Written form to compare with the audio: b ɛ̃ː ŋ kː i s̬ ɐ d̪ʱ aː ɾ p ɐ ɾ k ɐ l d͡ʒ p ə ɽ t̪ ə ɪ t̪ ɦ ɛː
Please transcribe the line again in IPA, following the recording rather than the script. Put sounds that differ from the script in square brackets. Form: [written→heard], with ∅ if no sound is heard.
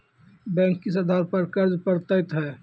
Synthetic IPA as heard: b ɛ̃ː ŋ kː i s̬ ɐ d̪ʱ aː ɾ p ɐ ɾ k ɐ [l→ɾ] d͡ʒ p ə [ɽ→ɾ] t̪ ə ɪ t̪ ɦ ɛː